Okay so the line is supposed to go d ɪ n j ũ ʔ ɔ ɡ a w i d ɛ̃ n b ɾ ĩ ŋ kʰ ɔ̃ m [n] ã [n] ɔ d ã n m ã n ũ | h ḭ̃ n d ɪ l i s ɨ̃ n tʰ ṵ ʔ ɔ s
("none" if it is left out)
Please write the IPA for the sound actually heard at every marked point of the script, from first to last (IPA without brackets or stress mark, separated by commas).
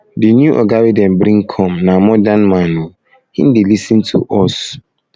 n, m